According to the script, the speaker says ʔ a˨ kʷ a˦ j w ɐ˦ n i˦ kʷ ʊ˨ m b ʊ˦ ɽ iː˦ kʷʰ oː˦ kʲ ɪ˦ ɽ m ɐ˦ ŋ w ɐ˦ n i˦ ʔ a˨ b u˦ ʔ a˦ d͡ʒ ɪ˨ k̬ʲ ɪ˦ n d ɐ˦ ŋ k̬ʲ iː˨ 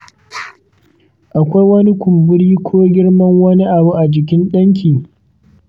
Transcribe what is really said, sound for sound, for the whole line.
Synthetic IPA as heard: ʔ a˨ kʷ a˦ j w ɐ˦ n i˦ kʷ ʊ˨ m b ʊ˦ ɽ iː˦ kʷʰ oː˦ ɡʲ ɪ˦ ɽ m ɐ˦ ŋ w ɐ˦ n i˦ ʔ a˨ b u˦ ʔ a˨ d͡ʒ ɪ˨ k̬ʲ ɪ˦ n ɗ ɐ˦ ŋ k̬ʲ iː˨